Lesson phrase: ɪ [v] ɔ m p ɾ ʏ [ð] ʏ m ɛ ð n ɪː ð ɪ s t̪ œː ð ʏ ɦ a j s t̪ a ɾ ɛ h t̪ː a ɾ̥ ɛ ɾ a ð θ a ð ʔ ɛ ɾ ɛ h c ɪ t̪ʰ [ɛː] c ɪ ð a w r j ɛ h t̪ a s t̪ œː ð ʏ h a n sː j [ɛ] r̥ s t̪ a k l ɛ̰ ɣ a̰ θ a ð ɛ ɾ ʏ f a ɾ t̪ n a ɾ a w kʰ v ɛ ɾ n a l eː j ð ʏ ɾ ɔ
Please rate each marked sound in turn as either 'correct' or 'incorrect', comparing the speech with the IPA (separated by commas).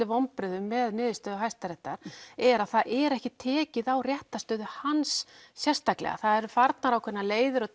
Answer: correct, correct, correct, correct